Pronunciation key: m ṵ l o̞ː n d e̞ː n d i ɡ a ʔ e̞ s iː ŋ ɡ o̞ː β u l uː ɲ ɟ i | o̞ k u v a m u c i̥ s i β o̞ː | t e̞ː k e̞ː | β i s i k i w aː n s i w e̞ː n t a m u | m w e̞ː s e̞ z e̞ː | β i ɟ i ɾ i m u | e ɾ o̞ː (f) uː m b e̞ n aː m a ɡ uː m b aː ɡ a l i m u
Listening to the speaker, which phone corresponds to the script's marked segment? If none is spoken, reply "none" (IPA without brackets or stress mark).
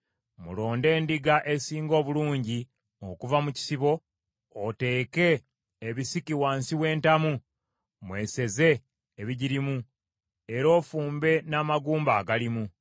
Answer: f